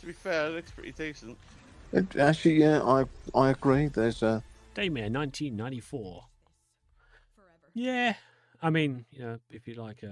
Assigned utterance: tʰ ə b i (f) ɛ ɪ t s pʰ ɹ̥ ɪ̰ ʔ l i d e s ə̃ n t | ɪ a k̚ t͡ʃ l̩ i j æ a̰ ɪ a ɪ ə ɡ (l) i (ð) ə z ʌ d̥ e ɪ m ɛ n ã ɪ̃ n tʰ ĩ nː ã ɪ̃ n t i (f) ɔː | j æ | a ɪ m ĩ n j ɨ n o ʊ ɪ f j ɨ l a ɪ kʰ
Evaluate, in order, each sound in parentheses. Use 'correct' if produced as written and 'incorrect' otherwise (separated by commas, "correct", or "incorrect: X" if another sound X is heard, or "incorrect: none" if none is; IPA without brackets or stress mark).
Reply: correct, incorrect: ɹ, correct, correct